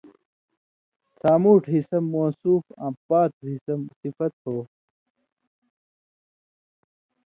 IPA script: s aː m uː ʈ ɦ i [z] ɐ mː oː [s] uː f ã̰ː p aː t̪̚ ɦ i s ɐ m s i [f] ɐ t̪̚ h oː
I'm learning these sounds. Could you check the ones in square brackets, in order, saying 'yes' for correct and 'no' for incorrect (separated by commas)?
no, yes, yes